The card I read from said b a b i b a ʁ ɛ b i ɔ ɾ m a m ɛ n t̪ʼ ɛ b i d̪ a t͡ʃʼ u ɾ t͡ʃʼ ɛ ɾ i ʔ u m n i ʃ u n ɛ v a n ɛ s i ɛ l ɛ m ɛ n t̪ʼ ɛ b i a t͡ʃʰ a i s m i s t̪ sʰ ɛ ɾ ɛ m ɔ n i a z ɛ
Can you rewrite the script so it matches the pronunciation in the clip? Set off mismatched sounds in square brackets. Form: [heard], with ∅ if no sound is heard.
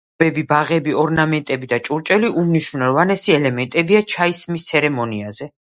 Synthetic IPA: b [ɛ] b i b a ʁ ɛ b i ɔ ɾ [n] a m ɛ n t̪ʼ ɛ b i d̪ a t͡ʃʼ u ɾ t͡ʃʼ ɛ [l] i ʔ u m n i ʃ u n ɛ v a n ɛ s i ɛ l ɛ m ɛ n t̪ʼ ɛ b i a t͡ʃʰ a i s m i s t̪ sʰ ɛ ɾ ɛ m ɔ n i a z ɛ